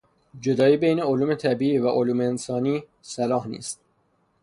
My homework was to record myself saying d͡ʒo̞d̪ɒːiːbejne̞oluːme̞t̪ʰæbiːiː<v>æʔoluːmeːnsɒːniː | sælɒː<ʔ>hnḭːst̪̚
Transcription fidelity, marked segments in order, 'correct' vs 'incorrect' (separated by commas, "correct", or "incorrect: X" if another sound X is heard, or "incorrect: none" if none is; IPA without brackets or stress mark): correct, incorrect: none